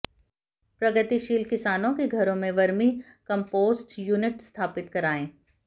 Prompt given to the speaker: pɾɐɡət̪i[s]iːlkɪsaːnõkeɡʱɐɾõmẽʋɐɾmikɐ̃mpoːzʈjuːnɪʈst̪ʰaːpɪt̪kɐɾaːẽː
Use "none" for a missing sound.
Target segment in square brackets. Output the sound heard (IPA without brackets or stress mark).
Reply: ʃ